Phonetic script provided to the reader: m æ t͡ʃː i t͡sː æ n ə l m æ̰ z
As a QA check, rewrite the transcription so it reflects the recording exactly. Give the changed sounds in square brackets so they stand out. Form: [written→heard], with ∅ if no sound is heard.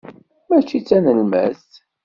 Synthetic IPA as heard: m æ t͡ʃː i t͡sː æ n ə l m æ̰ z